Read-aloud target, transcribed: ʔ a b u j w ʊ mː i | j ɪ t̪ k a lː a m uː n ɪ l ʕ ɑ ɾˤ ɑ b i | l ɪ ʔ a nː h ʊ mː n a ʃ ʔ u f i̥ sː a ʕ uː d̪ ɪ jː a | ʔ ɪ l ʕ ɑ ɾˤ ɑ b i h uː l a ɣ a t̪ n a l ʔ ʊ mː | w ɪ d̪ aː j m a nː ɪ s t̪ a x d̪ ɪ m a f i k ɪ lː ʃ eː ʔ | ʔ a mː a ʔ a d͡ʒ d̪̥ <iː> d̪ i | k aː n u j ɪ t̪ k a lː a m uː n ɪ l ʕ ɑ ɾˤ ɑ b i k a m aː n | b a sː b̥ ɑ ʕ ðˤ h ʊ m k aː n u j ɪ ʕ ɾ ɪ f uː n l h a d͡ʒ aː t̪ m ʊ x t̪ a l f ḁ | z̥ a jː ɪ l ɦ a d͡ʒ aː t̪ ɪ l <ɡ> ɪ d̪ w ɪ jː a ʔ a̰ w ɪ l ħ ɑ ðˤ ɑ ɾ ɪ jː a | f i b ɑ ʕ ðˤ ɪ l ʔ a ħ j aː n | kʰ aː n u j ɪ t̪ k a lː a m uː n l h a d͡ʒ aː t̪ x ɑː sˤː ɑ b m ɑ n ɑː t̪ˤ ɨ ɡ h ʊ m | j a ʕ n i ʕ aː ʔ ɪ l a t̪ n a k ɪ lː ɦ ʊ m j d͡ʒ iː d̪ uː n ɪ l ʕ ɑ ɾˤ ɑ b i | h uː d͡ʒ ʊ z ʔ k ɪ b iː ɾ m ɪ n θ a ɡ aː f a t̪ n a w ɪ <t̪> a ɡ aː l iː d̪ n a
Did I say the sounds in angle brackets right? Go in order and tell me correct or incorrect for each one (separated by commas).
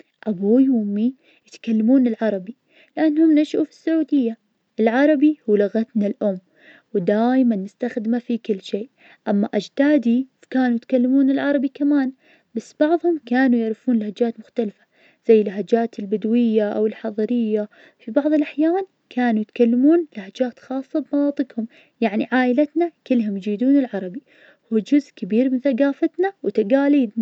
incorrect, incorrect, correct